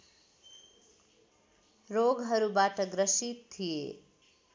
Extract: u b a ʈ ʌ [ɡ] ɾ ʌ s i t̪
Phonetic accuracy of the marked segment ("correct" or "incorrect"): correct